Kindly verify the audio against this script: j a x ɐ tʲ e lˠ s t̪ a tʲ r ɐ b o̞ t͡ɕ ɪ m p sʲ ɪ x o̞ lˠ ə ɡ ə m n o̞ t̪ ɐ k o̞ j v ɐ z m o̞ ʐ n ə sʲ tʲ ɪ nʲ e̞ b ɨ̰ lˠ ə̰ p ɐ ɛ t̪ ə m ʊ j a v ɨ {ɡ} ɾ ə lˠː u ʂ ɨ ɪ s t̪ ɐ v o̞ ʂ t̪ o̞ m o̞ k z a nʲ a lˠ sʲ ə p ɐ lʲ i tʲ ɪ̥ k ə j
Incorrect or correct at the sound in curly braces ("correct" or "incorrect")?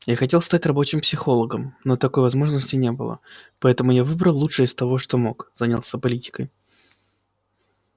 incorrect